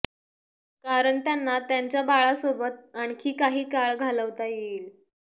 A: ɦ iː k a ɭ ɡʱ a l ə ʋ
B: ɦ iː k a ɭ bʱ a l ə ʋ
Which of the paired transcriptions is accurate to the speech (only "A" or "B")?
A